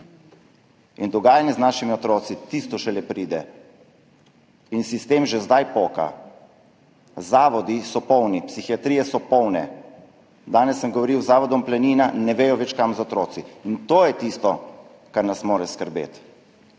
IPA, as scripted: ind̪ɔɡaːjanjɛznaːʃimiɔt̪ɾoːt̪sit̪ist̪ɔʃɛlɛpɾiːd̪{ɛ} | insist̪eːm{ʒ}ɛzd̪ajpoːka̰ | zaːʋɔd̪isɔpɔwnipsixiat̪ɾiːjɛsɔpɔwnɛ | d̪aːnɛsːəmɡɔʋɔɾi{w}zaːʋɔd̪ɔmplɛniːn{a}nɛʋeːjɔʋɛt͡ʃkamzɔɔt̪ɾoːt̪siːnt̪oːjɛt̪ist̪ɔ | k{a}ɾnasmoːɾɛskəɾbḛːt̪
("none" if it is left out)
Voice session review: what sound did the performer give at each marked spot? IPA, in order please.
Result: ɛ, ʒ, w, a, a

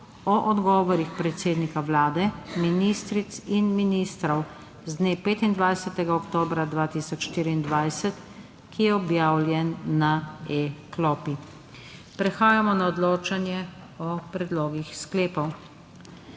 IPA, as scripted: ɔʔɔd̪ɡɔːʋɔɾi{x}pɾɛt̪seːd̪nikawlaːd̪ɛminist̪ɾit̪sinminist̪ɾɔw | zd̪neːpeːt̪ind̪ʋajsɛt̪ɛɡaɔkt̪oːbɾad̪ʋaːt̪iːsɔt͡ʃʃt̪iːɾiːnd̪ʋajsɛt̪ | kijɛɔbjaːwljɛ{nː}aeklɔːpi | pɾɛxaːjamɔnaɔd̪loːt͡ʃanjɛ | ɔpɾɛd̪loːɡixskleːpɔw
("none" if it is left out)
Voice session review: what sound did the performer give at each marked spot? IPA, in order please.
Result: x, nː

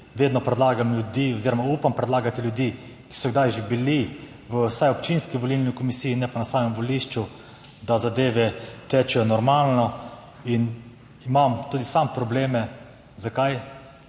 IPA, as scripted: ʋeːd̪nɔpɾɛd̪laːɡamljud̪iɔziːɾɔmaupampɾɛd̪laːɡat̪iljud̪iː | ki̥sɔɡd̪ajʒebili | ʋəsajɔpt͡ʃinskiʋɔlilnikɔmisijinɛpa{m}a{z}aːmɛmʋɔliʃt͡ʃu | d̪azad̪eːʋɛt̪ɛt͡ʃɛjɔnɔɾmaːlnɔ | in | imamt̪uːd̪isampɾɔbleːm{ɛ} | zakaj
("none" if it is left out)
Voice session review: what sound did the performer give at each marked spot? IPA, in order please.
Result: n, s, ɛ

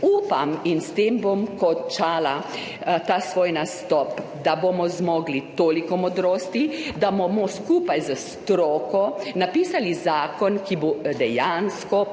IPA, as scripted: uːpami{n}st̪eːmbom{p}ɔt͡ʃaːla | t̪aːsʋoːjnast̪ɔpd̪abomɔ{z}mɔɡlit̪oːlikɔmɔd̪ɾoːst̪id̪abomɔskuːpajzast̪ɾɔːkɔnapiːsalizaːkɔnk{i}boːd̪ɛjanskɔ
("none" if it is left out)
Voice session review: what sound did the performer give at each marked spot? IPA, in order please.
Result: n, k, z, i

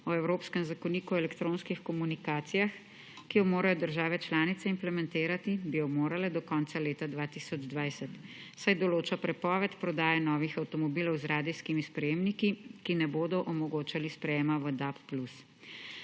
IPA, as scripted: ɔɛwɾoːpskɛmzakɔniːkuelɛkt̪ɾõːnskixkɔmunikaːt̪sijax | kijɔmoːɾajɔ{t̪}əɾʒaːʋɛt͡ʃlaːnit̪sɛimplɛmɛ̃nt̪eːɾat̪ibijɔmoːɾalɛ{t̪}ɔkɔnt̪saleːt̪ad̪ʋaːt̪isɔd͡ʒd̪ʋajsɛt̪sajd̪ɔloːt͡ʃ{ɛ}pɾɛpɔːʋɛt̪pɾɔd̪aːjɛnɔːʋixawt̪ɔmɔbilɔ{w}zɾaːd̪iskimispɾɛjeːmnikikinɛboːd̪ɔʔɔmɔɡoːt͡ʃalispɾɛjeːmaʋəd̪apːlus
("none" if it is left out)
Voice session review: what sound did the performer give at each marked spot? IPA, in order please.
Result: d̪, d̪, a, w

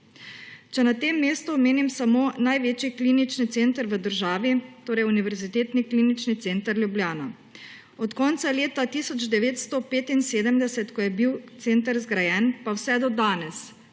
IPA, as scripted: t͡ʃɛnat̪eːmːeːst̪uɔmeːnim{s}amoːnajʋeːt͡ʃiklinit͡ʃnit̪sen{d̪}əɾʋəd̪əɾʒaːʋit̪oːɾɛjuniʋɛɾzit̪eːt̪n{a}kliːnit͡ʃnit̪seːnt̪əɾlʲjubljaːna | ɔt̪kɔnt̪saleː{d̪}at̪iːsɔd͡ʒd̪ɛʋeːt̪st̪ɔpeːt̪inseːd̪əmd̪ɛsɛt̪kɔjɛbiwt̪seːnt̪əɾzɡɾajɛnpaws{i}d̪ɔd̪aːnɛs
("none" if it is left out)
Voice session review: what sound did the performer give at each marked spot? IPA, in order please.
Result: s, t̪, i, t̪, ɛ

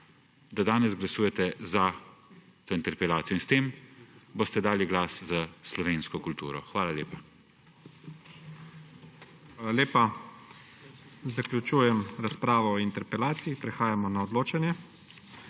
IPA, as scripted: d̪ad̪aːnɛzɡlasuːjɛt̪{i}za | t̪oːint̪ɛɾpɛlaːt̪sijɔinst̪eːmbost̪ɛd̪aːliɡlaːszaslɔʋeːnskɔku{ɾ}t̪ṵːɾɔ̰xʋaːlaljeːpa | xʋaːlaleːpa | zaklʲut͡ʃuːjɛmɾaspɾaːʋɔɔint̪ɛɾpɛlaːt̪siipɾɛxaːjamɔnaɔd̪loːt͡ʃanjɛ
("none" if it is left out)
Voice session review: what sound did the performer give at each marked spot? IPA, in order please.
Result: ɛ, l

